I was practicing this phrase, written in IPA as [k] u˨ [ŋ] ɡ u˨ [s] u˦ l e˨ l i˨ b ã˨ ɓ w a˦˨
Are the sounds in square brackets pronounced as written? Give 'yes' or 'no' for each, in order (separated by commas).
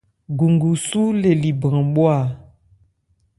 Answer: no, yes, yes